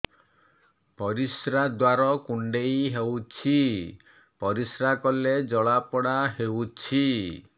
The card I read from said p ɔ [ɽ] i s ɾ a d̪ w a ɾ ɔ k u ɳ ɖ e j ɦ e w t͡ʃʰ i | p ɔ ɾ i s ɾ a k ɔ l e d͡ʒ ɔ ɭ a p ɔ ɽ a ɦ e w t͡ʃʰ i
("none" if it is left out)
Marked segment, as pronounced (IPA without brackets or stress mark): ɾ